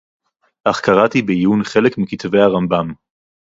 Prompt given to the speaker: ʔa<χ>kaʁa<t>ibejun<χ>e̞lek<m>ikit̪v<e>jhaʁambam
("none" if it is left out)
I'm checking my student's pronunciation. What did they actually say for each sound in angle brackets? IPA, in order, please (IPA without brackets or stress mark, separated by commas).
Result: χ, t, χ, m, e